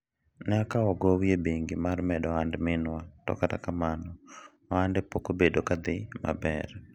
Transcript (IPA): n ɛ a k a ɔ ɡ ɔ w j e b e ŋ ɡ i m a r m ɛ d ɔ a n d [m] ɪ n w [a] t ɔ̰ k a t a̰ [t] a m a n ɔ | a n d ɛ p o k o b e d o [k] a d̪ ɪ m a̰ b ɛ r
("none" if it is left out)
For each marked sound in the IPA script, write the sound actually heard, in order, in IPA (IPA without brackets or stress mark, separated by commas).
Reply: m, a, k, k